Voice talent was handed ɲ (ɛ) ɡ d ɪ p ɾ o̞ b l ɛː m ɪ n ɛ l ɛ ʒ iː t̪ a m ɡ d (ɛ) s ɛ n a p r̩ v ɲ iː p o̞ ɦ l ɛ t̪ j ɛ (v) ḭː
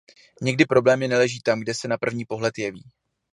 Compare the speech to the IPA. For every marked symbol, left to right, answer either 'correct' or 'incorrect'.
correct, correct, correct

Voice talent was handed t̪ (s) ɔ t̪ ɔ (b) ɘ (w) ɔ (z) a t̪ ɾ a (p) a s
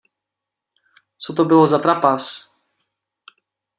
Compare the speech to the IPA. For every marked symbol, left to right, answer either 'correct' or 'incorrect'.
correct, correct, correct, correct, correct

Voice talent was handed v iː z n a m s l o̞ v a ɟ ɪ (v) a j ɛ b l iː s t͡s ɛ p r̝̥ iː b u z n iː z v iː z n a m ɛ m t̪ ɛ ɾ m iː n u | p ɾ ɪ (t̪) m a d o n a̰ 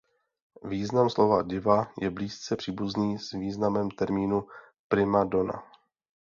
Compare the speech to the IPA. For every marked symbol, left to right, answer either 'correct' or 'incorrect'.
correct, incorrect

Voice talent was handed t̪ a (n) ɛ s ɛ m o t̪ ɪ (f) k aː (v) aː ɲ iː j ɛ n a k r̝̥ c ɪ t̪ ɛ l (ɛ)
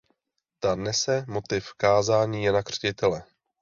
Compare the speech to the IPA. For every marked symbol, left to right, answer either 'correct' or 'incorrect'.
correct, correct, incorrect, correct

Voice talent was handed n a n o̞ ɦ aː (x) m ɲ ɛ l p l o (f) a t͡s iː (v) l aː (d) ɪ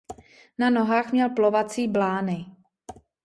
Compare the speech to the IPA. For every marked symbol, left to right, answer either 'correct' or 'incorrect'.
correct, incorrect, incorrect, incorrect

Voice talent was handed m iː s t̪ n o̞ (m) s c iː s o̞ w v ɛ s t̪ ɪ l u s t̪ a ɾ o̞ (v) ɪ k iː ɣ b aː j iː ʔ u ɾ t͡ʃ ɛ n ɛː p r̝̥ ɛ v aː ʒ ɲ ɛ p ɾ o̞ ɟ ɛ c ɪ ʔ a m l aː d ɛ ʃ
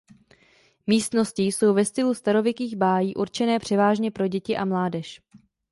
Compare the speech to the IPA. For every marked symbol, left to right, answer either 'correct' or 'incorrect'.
incorrect, correct

